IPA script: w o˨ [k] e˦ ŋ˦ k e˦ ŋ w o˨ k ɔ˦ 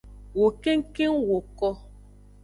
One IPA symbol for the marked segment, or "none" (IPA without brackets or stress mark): k